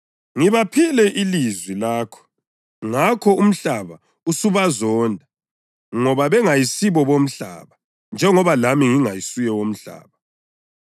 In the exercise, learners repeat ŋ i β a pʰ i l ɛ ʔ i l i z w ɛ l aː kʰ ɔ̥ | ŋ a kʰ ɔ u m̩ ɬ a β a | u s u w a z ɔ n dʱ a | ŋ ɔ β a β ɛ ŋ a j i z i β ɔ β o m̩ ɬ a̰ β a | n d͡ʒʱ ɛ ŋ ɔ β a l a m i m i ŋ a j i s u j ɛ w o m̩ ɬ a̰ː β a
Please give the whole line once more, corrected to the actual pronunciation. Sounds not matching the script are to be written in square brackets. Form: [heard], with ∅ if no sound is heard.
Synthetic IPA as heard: ŋ i β a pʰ i l ɛ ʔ i l i z w [i] l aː kʰ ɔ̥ | ŋ a kʰ ɔ u m̩ ɬ a β a | u s u [β] a z ɔ n dʱ a | ŋ ɔ β a β ɛ ŋ a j i [s] i β ɔ β o m̩ ɬ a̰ β a | n d͡ʒʱ ɛ ŋ ɔ β a l a m i [ŋ] i ŋ a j i s u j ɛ w o m̩ ɬ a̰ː β a